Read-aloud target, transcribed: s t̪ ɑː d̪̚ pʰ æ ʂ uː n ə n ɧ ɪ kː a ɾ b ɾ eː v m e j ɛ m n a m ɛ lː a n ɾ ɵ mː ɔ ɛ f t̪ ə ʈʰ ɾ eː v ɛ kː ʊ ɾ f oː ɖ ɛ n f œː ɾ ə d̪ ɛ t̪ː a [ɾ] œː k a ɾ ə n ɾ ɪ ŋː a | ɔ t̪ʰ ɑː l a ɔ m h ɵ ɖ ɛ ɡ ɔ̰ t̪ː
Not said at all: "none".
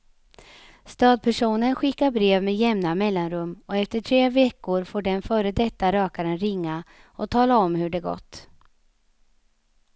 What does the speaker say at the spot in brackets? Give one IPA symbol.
ɾ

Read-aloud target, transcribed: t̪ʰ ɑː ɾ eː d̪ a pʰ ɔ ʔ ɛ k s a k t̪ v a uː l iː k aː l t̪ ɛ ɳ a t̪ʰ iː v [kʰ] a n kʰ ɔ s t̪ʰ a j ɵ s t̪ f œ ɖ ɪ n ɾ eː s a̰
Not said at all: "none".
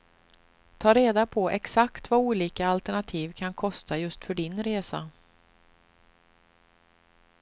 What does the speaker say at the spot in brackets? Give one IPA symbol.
kʰ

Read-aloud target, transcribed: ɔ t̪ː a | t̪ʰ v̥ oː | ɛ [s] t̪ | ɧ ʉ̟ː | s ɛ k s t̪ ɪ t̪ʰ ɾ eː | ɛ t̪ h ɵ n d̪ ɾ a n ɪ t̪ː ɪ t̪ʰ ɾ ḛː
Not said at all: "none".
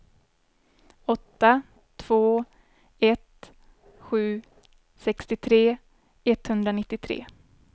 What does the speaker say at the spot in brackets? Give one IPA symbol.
none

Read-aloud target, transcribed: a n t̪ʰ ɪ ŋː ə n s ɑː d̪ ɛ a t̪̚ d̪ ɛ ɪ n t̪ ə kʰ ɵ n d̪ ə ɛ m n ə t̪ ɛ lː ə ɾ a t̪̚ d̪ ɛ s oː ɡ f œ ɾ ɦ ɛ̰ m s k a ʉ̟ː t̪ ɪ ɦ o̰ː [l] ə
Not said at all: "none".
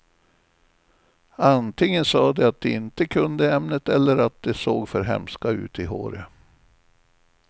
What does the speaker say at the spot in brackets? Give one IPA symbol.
ɾ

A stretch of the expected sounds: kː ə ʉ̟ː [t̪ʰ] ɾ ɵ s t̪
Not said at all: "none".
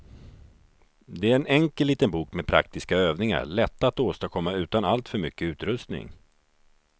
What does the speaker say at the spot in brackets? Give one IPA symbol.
t̪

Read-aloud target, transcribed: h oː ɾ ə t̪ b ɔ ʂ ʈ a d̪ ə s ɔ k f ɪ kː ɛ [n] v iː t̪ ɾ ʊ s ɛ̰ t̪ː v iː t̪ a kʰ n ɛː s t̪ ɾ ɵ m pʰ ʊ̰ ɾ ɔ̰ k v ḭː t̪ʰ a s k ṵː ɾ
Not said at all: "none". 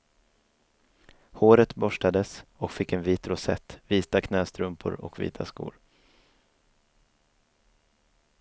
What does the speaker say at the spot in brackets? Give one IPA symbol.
n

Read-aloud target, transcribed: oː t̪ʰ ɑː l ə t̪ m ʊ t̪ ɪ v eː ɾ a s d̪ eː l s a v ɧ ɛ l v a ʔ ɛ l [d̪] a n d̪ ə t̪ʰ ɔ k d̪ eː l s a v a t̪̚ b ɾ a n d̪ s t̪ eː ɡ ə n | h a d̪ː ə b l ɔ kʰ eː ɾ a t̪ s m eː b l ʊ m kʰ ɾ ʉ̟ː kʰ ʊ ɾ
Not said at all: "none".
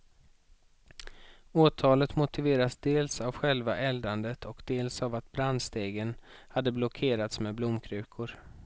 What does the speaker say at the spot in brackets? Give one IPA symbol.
d̪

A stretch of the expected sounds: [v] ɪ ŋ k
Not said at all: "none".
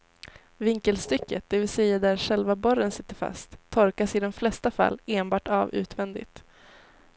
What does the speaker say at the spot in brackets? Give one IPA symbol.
v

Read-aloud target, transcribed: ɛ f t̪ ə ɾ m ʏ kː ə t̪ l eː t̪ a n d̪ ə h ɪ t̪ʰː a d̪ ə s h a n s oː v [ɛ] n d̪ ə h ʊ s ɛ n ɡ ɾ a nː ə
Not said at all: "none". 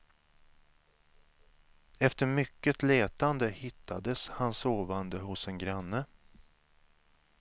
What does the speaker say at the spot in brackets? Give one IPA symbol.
a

